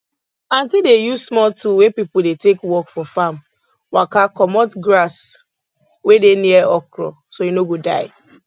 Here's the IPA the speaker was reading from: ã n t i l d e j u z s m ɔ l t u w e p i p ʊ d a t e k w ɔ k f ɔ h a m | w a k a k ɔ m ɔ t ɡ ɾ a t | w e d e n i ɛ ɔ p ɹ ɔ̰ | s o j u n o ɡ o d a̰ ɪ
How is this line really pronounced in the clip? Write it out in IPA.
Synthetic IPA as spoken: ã n t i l d e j u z s m ɔ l t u w e p i p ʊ d e t e k w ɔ k f ɔ f a m | w a k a k ɔ m ɔ t ɡ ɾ a s | w e d e n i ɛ ɔ k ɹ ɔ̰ | s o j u n o ɡ o d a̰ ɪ